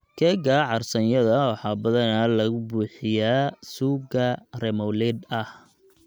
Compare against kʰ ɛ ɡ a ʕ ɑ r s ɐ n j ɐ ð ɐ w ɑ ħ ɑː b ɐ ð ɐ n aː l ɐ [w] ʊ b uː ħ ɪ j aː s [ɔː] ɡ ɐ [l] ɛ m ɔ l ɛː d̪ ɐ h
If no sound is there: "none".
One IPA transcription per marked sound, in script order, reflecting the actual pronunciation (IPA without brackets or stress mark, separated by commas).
ɣ, uː, r